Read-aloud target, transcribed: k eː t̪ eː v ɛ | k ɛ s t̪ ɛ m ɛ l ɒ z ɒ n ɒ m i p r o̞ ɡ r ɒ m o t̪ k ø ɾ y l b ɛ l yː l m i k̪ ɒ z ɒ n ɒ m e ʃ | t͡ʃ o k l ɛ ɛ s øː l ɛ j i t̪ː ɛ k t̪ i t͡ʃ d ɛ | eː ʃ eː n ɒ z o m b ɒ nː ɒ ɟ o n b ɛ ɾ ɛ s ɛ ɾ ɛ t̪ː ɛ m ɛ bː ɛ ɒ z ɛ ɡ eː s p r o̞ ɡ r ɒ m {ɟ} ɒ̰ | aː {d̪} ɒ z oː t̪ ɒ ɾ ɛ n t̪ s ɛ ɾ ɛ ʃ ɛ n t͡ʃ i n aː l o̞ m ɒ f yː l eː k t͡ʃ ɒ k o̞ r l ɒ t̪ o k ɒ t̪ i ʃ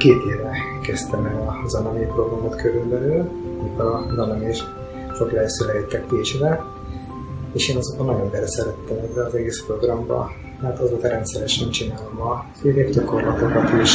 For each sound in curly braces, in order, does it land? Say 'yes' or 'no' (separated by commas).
no, no